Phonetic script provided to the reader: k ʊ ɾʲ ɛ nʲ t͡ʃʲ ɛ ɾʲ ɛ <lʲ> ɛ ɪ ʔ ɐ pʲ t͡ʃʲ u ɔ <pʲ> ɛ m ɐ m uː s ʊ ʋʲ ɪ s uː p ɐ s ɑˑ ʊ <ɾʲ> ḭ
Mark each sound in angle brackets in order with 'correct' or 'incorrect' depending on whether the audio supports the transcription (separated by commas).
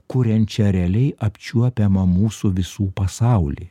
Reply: correct, correct, incorrect